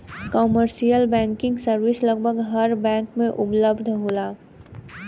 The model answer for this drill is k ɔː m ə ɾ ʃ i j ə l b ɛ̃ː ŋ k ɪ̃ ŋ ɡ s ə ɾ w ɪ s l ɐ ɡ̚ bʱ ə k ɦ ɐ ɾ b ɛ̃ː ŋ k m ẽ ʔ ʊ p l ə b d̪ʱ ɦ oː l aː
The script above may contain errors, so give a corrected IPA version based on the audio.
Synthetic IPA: k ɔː m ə ɾ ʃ i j ə l b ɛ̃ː ŋ k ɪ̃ ŋ ɡ s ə ɾ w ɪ s l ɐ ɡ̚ bʱ ə ɡ ɦ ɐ ɾ b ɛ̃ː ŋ k m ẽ ʔ ʊ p l ə b d̪ʱ ɦ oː l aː